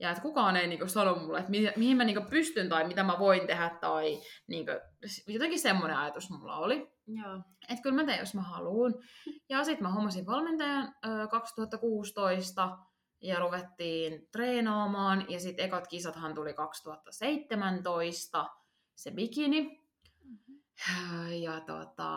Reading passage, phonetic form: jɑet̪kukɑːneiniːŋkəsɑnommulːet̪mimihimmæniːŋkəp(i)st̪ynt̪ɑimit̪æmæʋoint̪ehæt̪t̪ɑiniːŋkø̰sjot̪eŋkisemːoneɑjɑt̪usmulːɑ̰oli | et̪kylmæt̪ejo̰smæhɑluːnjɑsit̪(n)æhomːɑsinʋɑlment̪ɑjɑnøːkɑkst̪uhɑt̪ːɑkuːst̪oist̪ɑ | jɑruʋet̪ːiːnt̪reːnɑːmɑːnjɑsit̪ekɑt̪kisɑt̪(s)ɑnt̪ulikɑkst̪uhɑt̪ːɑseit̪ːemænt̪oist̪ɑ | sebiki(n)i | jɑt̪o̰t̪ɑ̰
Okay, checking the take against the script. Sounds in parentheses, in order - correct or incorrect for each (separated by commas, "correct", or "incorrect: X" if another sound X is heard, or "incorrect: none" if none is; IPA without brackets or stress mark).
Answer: incorrect: y, incorrect: m, incorrect: h, correct